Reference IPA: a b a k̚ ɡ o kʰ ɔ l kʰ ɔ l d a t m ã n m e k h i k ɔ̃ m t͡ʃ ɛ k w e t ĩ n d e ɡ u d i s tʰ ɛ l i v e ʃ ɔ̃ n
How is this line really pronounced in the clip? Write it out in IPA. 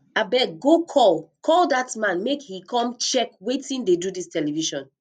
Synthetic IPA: a b ɛ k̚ ɡ o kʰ ɔ l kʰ ɔ l d a t m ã n m e k h i k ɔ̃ m t͡ʃ ɛ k w e t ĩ n d e d u d i s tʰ ɛ l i v i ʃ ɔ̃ n